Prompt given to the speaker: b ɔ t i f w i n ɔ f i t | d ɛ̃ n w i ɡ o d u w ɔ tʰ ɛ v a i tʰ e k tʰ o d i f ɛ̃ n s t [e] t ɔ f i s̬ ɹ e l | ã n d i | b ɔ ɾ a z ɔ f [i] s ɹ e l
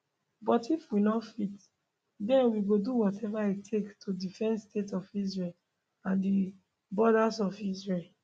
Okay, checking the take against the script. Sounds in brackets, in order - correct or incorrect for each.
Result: correct, correct

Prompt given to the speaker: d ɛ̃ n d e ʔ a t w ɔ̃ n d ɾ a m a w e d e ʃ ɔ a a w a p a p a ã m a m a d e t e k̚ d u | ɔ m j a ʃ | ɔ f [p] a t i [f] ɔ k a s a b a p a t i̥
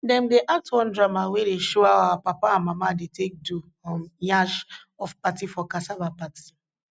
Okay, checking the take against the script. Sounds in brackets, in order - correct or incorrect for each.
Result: correct, correct

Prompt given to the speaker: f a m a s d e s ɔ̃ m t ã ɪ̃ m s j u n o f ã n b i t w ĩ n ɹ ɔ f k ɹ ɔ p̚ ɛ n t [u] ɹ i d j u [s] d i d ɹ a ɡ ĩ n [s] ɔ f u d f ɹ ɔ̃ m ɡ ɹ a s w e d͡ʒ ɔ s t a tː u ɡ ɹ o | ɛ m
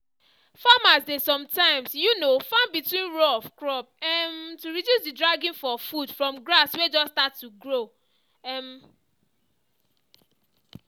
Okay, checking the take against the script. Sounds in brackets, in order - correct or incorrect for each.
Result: correct, correct, incorrect

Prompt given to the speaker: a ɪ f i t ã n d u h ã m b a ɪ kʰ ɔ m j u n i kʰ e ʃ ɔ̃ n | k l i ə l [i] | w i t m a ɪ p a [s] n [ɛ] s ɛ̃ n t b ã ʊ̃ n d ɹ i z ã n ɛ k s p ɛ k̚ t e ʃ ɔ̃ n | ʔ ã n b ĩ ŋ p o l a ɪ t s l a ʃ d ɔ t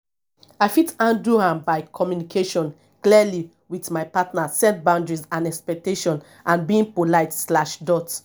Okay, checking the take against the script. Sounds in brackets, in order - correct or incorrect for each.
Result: correct, incorrect, incorrect

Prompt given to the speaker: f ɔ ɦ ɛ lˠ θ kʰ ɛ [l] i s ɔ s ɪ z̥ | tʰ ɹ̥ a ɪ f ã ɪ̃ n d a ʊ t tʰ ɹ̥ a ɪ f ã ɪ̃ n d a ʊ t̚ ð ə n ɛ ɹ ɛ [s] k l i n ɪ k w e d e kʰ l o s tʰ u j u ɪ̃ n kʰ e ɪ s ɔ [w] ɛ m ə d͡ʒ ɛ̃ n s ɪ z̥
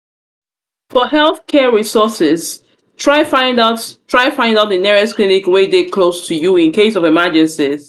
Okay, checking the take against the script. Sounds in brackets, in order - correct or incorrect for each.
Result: incorrect, correct, incorrect

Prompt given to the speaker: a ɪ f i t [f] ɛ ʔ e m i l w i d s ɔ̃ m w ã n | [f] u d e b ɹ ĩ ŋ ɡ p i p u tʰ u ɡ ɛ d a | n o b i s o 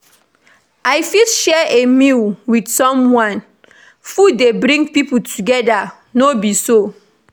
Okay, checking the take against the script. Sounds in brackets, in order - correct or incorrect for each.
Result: incorrect, correct

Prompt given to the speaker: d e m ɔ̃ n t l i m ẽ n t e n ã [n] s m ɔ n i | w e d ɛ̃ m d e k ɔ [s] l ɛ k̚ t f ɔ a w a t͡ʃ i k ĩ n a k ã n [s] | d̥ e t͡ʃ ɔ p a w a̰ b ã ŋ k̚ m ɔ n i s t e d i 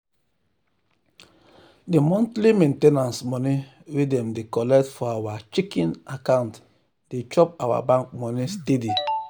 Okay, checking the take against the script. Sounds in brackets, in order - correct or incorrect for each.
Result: correct, incorrect, incorrect

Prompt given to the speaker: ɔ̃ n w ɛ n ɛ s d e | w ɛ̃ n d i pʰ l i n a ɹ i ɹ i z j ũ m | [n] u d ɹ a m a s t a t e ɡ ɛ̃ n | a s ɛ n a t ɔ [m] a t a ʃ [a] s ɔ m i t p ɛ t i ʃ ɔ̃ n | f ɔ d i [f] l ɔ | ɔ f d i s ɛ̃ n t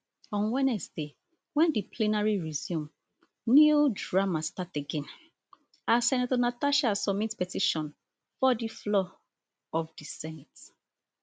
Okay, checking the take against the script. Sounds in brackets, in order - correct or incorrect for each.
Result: correct, incorrect, correct, correct

